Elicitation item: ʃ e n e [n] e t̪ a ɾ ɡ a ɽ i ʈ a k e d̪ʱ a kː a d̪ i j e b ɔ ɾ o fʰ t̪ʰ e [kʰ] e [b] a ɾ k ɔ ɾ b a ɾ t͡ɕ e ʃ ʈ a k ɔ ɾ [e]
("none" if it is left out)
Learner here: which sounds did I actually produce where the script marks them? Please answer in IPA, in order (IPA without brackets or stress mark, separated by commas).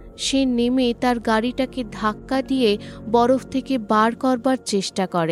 m, k, b, e